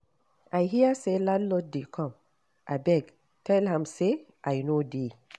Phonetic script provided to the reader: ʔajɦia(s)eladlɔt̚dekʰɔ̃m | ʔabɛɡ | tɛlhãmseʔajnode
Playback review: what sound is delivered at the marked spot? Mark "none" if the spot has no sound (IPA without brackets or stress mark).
s